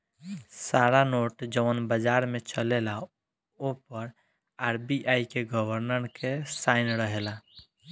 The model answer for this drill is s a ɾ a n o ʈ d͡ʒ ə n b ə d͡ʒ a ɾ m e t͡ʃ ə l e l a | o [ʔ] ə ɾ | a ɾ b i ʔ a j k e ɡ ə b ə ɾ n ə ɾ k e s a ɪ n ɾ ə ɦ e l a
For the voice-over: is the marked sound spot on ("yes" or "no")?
no